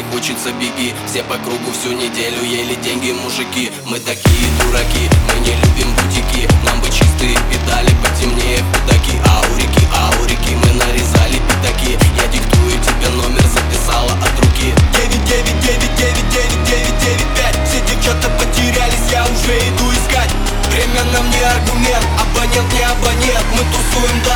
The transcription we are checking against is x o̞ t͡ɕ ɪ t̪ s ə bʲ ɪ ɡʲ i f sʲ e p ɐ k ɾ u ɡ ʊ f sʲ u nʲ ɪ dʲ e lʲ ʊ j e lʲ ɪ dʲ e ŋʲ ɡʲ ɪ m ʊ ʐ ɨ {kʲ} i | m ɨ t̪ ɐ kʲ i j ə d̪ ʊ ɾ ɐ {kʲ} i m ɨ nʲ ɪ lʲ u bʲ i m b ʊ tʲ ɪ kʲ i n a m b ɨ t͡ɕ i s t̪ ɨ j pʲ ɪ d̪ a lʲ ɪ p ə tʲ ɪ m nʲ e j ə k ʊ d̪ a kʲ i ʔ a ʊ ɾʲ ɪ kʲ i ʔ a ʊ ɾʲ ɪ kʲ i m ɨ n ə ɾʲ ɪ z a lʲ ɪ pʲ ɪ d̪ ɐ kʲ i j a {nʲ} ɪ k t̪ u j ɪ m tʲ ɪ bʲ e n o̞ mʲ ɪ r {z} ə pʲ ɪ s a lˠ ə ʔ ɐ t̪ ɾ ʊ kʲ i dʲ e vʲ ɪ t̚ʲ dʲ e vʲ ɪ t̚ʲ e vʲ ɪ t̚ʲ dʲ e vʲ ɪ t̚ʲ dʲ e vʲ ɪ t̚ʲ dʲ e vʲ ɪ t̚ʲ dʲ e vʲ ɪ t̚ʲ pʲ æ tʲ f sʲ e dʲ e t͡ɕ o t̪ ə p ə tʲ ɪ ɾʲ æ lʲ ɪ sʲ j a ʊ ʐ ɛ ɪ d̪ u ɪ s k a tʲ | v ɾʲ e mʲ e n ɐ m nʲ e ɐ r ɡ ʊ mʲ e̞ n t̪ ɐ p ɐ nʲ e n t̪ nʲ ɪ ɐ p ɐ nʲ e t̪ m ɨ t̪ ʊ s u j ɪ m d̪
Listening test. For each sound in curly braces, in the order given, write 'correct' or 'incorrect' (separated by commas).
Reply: correct, correct, incorrect, correct